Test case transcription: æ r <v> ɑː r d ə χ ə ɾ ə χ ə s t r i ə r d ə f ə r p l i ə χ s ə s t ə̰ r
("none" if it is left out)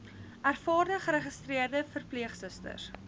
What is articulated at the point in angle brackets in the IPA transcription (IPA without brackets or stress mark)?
f